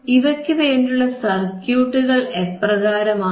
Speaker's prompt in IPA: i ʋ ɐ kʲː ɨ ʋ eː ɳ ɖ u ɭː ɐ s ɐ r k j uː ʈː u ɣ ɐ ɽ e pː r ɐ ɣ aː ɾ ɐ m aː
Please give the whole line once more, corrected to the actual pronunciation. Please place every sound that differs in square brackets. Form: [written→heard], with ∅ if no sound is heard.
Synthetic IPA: i ʋ ɐ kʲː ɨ ʋ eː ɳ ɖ u ɭː ɐ s ɐ r k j uː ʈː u ɣ ɐ [ɽ→ɭ] e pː r ɐ ɣ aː ɾ ɐ m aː

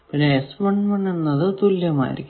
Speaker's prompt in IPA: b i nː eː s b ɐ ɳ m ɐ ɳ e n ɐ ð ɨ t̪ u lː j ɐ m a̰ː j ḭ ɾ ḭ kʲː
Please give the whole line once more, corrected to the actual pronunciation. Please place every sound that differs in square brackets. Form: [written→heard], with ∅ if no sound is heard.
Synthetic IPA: [b→p] i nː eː s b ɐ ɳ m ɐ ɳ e [n→nː] ɐ ð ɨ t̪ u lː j ɐ m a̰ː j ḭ ɾ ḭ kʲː

